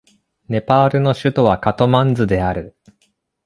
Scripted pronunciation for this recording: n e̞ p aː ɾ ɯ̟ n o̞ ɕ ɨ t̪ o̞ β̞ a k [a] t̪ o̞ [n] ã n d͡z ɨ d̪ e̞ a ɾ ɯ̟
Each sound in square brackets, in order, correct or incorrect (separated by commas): correct, incorrect